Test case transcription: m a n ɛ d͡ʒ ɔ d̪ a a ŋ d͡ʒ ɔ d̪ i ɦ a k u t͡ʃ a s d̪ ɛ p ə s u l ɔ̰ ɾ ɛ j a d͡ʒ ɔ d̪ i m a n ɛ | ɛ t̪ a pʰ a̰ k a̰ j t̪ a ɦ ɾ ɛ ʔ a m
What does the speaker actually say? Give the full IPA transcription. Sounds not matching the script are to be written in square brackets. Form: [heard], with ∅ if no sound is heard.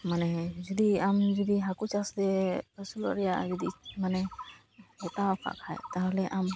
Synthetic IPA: m a n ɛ d͡ʒ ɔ d̪ [i] a [m] d͡ʒ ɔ d̪ i ɦ a k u t͡ʃ a s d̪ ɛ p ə s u l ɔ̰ ɾ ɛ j a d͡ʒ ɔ d̪ i m a n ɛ | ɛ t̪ a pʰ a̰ k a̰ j t̪ a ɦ [l] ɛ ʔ a m